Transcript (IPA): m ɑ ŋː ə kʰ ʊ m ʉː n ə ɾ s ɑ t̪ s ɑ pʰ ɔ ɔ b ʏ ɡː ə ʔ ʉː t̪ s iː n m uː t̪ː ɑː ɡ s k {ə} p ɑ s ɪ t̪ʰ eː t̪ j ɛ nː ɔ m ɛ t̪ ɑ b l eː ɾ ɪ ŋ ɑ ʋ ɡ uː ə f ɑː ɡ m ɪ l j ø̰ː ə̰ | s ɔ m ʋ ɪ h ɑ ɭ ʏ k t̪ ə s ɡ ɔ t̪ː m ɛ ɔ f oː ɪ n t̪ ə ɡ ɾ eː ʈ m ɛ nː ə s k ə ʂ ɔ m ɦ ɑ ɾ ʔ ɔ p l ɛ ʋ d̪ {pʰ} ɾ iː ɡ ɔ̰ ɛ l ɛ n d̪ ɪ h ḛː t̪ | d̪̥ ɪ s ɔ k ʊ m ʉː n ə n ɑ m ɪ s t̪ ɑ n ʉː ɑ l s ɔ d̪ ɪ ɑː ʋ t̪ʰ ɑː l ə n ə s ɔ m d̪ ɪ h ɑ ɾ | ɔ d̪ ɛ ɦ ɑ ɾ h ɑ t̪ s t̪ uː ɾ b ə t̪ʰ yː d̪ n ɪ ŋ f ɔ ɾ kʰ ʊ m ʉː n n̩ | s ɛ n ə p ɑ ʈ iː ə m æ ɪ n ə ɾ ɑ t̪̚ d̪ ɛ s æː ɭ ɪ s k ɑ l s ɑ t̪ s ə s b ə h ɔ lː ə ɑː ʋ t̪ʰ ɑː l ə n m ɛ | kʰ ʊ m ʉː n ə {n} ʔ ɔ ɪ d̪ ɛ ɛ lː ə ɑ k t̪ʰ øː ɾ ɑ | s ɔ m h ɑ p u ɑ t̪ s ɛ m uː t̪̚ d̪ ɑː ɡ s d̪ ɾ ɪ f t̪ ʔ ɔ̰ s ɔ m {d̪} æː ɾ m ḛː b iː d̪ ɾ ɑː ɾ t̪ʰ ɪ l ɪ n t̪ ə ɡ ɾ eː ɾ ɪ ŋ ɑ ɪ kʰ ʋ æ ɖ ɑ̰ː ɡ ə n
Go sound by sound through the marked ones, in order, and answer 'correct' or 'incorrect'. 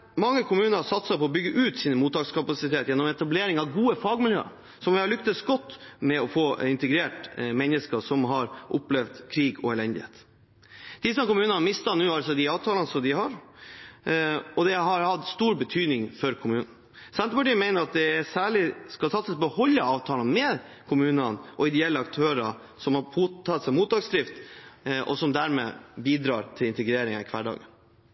incorrect, incorrect, correct, correct

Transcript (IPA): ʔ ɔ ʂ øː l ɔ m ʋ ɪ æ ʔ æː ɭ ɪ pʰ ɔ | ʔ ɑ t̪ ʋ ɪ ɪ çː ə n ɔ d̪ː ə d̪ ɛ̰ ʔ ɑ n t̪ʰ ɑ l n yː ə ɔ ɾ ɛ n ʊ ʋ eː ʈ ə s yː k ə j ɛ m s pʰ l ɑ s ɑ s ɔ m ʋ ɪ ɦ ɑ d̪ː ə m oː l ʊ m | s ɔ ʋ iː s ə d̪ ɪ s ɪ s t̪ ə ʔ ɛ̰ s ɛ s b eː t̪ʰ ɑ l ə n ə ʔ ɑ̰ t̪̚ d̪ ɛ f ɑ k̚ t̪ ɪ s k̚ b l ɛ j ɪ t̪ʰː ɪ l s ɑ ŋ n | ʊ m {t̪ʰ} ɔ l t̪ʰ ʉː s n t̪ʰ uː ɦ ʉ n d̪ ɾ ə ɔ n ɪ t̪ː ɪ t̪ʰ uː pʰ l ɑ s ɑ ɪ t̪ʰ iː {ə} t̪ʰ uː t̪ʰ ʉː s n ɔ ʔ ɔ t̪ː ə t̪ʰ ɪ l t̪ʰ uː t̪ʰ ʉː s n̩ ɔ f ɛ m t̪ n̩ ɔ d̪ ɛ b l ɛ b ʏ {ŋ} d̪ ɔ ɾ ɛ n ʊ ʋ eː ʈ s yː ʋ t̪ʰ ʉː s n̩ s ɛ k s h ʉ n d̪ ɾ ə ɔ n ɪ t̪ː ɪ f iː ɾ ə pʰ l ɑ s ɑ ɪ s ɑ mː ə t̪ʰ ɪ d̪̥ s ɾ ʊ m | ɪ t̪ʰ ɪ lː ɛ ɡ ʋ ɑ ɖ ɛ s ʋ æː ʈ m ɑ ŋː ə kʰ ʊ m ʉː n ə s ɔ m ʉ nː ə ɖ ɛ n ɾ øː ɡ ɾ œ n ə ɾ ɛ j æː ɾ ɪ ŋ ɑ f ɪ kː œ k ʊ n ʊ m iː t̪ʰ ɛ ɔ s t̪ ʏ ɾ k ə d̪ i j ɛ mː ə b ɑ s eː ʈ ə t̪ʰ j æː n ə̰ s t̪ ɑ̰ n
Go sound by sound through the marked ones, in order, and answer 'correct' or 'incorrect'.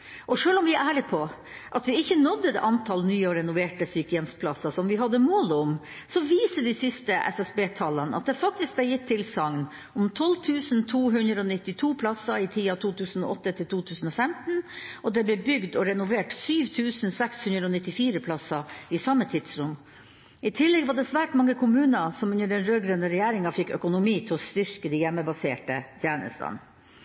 correct, incorrect, incorrect

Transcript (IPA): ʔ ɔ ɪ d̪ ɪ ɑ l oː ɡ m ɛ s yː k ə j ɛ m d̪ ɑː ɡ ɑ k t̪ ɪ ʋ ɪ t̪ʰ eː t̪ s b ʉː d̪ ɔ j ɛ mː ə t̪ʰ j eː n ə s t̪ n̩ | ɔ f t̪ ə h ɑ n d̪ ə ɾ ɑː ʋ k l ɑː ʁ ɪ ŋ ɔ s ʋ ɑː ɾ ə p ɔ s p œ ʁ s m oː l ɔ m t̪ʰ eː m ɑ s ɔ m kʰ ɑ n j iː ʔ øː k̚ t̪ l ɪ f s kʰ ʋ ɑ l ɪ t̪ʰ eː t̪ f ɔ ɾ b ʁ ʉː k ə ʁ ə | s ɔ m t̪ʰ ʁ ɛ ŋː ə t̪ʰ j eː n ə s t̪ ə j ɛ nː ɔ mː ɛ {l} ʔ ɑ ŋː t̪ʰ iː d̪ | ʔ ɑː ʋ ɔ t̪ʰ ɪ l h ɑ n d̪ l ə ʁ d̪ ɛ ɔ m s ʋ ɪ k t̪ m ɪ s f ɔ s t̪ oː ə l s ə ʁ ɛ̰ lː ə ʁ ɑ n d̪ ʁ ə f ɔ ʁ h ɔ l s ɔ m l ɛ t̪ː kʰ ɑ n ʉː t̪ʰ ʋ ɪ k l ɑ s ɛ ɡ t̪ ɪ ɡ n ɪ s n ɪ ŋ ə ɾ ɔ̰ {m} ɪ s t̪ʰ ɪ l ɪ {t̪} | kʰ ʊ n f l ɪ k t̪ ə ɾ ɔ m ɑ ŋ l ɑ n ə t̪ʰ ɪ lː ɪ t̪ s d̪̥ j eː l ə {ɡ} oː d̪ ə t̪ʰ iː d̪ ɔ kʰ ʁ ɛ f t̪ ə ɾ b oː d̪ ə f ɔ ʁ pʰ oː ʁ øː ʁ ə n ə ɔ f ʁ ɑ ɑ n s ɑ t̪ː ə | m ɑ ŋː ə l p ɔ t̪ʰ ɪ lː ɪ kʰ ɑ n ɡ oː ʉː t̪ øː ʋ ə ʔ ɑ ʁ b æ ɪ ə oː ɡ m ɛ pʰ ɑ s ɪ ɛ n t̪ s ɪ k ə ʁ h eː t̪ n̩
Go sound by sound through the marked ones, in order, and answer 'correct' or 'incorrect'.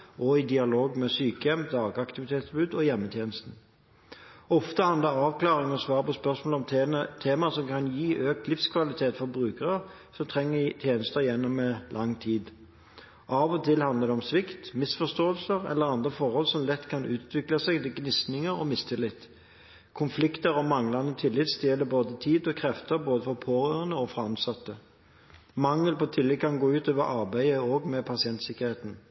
correct, correct, correct, incorrect

